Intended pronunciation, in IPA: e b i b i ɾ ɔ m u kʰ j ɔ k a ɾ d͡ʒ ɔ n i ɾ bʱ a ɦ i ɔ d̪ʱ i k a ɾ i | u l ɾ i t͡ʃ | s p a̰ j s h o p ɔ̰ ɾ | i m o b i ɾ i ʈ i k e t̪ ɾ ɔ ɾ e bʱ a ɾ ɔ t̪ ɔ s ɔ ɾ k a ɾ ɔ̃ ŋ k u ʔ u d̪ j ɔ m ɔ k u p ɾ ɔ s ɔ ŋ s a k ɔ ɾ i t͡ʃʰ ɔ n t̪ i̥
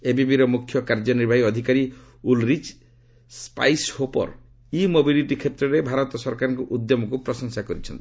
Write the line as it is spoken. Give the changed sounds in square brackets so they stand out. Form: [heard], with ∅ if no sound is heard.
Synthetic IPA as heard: e b i b i ɾ ɔ m u kʰ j ɔ k a ɾ d͡ʒ ɔ n i ɾ bʱ a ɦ i ɔ d̪ʱ i k a ɾ i | u l ɾ i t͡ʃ | s p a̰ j s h o p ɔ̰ ɾ | i m o b i [l] i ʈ i [kʰ] e t̪ ɾ ɔ ɾ e bʱ a ɾ ɔ t̪ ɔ s ɔ ɾ k a ɾ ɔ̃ ŋ k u ʔ u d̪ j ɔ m ɔ k u p ɾ ɔ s ɔ ŋ s a k ɔ ɾ i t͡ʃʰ ɔ n t̪ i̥